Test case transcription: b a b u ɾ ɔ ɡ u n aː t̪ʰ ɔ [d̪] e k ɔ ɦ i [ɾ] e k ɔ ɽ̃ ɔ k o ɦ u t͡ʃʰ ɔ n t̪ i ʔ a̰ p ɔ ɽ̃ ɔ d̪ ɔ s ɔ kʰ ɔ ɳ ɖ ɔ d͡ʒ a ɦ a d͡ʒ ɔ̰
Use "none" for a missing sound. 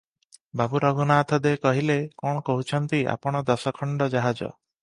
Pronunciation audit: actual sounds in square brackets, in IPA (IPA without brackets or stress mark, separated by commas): d̪, l